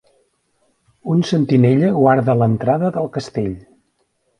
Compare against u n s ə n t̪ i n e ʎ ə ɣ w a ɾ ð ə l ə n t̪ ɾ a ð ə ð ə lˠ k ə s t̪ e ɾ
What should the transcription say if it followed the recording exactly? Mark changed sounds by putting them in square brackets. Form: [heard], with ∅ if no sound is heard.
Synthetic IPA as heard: u n s ə n t̪ i n e ʎ ə ɣ w a ɾ ð ə l ə n t̪ ɾ a ð ə ð ə lˠ k ə s t̪ e [ʎ]